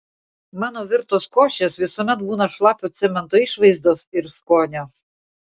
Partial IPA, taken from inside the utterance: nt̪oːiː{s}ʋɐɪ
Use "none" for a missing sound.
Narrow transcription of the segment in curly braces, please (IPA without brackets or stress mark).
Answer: ʃ